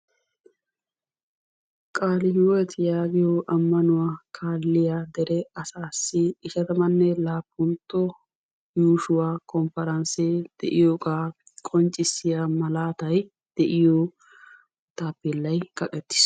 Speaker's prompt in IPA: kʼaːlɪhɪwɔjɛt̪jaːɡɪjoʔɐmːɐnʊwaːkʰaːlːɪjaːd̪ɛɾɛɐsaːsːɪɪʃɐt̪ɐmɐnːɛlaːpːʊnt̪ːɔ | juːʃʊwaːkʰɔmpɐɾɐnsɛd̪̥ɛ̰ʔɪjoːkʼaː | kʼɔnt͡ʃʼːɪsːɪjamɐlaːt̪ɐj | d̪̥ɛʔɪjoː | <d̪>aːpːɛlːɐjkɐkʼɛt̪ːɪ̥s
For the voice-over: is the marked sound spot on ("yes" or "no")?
no